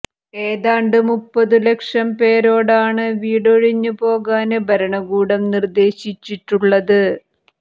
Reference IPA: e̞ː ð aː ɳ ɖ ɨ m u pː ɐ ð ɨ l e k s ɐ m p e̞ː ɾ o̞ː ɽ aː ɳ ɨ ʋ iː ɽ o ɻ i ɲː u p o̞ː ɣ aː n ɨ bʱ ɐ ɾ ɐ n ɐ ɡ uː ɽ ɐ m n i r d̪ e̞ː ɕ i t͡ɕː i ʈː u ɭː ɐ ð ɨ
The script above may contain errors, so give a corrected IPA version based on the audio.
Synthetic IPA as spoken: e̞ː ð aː ɳ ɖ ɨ m u pː ɐ ð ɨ l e k ʂ ɐ m p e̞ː ɾ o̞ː ɽ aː ɳ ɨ ʋ iː ɽ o ɻ i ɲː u p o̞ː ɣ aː n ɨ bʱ ɐ ɾ ɐ ɳ ɐ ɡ uː ɽ ɐ m n i r d̪ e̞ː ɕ i t͡ɕː i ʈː u ɭː ɐ ð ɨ